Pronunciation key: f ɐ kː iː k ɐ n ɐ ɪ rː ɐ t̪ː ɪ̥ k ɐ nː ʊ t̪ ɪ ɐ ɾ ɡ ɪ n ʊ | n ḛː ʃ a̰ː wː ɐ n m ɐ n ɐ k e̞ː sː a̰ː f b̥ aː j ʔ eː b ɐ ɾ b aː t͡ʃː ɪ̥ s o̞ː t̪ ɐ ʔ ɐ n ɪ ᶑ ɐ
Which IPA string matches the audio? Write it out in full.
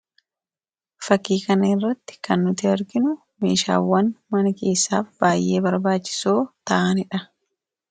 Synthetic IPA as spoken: f ɐ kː iː k ɐ n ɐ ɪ rː ɐ t̪ː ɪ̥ k ɐ nː ʊ t̪ ɪ ɐ ɾ ɡ ɪ n ʊ | m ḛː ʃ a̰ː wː ɐ n m ɐ n ɐ k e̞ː sː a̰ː f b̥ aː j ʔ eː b ɐ ɾ b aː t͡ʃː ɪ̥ s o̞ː t̪ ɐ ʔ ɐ n ɪ ᶑ ɐ